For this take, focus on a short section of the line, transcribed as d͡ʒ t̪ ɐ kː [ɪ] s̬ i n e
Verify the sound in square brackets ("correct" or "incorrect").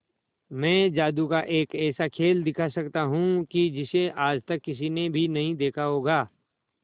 correct